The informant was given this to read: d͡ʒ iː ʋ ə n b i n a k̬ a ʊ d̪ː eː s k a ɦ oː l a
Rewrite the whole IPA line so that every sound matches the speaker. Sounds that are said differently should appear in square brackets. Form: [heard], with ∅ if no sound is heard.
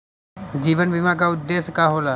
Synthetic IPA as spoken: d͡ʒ iː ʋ ə n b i [m] a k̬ a ʊ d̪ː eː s k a ɦ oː l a

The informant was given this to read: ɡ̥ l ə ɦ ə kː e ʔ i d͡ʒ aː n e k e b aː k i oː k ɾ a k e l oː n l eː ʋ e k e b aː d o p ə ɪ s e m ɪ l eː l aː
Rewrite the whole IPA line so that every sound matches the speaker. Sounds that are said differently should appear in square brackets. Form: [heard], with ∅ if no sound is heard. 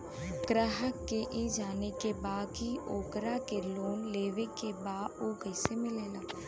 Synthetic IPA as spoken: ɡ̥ [ɾ] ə ɦ ə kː e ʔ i d͡ʒ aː n e k e b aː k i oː k ɾ a k e l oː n l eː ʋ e k e b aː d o [k] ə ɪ s e m ɪ l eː l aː

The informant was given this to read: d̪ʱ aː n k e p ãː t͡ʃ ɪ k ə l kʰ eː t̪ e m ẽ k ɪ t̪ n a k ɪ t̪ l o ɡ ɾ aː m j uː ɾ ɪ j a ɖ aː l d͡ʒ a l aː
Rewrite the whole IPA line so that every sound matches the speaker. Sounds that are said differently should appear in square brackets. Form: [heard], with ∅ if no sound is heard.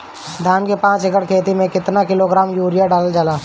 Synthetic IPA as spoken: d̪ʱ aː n k e p ãː t͡ʃ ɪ k ə [ɽ] kʰ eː t̪ [i] m ẽ k ɪ t̪ n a k ɪ [∅] l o ɡ ɾ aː m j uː ɾ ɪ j a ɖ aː l d͡ʒ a l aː

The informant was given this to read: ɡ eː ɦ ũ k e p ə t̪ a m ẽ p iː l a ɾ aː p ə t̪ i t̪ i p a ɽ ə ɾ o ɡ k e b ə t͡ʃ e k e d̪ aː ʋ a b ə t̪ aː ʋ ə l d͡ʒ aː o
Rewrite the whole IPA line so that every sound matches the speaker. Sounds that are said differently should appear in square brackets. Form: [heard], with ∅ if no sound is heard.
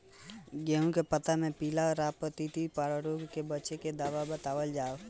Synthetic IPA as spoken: ɡ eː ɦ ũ k e p ə t̪ a m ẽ p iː l a ɾ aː p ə t̪ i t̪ i p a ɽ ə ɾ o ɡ k e b ə t͡ʃ e k e d̪ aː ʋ a b ə t̪ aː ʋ ə l d͡ʒ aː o

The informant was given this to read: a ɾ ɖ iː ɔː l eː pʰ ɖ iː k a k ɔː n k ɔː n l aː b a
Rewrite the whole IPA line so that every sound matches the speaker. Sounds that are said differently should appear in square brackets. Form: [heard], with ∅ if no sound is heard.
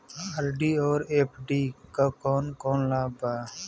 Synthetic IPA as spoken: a ɾ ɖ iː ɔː [ɾ] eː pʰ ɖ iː k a k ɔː n k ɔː n l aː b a

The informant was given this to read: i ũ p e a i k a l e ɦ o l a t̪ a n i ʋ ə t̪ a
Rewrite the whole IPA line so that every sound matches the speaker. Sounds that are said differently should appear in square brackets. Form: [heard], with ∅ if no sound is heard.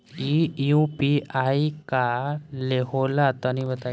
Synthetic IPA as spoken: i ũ p [i] a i k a l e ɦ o l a t̪ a n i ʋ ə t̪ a

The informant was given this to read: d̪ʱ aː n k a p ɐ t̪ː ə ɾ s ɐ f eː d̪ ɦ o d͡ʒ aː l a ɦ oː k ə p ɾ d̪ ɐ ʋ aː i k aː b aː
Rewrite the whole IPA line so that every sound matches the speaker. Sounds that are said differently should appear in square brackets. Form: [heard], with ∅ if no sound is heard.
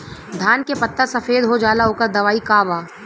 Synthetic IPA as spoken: d̪ʱ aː n k [e] p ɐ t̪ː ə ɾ s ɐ f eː d̪ ɦ o d͡ʒ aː l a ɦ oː k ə [∅] ɾ d̪ ɐ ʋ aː i k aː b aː

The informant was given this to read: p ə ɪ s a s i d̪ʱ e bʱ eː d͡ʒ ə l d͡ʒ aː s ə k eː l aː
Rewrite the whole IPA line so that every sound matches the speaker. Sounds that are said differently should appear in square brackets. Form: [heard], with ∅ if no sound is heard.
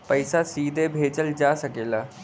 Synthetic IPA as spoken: p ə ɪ s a s [iː] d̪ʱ e bʱ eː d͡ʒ ə l d͡ʒ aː s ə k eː l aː

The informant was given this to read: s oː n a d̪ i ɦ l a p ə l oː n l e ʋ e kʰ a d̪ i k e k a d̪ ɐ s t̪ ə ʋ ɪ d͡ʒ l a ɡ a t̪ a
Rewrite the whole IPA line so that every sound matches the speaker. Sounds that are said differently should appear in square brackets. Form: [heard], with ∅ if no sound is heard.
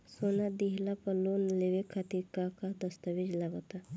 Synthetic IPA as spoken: s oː n a d̪ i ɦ l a p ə l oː n l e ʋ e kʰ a [t̪] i k [a] k a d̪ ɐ s t̪ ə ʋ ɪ d͡ʒ l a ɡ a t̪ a

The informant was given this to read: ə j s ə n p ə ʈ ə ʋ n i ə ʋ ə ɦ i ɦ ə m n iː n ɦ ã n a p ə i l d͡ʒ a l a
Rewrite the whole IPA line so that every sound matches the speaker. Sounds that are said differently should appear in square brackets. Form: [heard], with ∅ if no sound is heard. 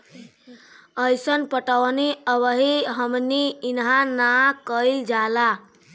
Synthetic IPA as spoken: ə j s ə n p ə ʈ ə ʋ n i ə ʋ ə ɦ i ɦ ə m n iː n ɦ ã n a [k] ə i l d͡ʒ a l a

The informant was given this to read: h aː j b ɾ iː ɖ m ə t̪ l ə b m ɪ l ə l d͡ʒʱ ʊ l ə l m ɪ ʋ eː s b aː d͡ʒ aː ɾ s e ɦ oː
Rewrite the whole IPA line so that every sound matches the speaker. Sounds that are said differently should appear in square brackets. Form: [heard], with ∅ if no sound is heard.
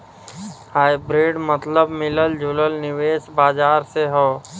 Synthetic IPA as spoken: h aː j b ɾ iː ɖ m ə t̪ l ə b m ɪ l ə l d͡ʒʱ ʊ l ə l [n] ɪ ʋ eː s b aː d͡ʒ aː ɾ s e ɦ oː

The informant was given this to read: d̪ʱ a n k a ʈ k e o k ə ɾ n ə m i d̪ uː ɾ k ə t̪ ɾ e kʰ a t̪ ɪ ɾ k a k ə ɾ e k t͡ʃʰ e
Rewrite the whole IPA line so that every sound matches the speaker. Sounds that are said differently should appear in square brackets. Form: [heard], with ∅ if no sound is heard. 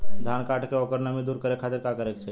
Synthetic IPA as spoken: d̪ʱ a n k a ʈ k e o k ə ɾ n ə m i d̪ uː ɾ k ə [∅] ɾ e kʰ a t̪ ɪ ɾ k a k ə ɾ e k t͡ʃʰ e

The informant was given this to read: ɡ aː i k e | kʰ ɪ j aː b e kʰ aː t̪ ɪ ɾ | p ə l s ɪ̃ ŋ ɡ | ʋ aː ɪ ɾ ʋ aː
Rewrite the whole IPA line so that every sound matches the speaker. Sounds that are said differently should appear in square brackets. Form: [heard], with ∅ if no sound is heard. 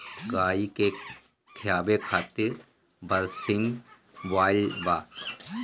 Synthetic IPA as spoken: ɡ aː i k e | kʰ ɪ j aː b e kʰ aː t̪ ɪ ɾ | [b] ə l s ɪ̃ ŋ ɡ | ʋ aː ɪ [l] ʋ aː

